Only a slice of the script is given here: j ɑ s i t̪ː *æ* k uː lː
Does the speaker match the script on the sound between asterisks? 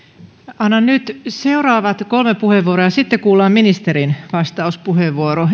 no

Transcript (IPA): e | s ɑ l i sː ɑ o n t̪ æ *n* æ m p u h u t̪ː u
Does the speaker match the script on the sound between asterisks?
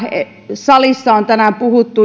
yes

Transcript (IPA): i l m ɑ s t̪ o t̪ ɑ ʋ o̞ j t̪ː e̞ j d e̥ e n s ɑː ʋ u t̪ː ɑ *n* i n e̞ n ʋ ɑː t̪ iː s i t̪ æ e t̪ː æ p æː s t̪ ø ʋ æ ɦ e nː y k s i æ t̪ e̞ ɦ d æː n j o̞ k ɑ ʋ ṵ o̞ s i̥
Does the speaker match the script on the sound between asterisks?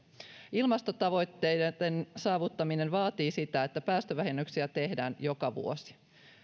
no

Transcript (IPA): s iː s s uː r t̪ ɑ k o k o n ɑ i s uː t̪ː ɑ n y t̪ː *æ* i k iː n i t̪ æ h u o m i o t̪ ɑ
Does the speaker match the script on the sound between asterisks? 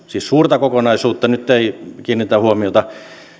no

